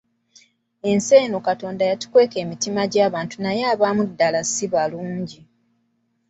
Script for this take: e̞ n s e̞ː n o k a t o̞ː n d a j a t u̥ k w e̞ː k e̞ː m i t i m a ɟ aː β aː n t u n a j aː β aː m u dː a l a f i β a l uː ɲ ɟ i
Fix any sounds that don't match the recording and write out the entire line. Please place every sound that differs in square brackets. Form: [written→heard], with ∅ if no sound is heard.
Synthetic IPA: e̞ n s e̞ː n o k a t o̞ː n d a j a t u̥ k w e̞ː k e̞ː m i t i m a ɟ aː β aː n t u n a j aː β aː m u dː a l a [f→s] i β a l uː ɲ ɟ i